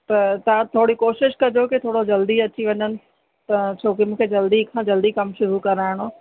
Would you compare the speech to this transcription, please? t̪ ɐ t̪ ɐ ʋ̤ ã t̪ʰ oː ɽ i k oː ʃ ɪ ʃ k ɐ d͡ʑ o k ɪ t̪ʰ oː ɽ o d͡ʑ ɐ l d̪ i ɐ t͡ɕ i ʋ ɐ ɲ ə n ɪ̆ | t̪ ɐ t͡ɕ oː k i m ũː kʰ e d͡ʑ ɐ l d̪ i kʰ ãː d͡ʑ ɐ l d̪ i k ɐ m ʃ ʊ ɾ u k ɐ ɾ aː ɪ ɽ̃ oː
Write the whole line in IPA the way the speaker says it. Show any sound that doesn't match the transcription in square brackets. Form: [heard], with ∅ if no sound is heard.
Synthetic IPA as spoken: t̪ ɐ t̪ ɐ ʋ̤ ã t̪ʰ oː ɽ i k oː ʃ ɪ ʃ k ɐ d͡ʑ o k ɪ t̪ʰ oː ɽ o d͡ʑ ɐ l d̪ i ɐ t͡ɕ i ʋ ɐ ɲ ə n ɪ̆ | t̪ ɐ [t͡ɕʰ] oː k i m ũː kʰ e d͡ʑ ɐ l d̪ i kʰ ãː d͡ʑ ɐ l d̪ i k ɐ m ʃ ʊ ɾ u k ɐ ɾ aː ɪ ɽ̃ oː